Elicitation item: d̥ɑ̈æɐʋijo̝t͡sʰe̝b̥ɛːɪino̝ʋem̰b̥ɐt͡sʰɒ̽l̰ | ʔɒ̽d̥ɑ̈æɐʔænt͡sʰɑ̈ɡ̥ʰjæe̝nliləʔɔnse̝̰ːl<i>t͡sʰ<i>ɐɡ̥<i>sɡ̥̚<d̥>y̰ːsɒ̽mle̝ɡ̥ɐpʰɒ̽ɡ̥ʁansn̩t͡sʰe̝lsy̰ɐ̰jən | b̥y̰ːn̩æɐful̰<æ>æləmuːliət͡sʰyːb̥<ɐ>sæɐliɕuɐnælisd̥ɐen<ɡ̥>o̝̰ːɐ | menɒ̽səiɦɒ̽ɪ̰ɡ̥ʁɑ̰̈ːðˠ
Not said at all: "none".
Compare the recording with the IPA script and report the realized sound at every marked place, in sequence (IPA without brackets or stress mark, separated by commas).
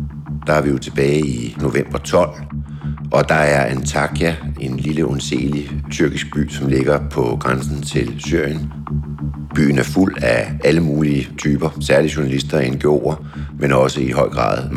i, y, i, b̥, æ, ɐ, ɡ̥